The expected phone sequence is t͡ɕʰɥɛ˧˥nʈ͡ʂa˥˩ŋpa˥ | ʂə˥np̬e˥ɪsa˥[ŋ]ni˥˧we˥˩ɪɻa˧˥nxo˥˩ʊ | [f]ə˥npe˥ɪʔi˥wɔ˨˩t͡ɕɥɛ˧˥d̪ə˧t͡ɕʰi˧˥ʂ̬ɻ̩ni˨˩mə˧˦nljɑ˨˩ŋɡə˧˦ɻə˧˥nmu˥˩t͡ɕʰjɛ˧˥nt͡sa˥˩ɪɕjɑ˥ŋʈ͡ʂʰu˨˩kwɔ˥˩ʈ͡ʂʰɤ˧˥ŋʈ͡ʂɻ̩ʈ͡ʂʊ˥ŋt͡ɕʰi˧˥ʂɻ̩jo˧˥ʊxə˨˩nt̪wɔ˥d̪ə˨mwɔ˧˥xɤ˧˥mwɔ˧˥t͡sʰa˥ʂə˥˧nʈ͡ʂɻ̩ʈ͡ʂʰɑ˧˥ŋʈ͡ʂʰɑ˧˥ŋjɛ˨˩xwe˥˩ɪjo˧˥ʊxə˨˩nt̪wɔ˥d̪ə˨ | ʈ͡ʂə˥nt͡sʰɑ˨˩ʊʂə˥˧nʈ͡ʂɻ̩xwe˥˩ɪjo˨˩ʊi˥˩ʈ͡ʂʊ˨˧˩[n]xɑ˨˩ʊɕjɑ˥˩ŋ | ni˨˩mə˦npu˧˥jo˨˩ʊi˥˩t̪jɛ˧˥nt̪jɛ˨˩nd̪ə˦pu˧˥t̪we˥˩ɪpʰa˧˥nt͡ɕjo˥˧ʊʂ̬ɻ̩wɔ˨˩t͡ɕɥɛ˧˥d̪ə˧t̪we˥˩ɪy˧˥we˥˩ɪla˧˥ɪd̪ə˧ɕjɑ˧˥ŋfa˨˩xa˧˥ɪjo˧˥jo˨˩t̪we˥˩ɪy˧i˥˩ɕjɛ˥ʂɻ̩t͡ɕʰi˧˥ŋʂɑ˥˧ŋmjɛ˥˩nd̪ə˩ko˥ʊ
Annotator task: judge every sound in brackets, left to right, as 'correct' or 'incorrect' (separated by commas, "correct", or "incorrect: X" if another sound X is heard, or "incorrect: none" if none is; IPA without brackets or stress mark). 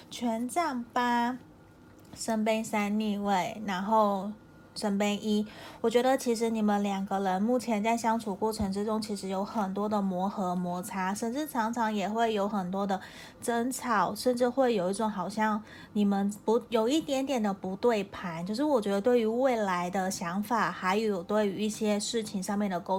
incorrect: n, incorrect: ʂ, incorrect: ŋ